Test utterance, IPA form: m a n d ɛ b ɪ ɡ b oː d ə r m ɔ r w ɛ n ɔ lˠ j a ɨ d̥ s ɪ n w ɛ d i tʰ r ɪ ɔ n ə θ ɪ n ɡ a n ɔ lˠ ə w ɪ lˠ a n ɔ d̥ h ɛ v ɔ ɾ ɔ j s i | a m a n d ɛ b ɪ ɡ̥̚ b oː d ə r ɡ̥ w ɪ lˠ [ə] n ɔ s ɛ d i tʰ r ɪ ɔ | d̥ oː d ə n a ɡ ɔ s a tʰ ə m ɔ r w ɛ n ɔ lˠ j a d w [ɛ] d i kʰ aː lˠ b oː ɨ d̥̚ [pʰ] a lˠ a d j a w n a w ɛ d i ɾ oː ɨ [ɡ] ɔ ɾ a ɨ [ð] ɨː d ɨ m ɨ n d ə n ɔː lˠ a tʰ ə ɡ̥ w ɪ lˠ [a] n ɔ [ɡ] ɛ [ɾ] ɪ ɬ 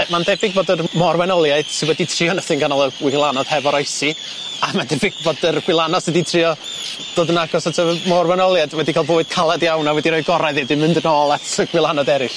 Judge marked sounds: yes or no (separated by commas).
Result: no, yes, no, yes, yes, yes, no, yes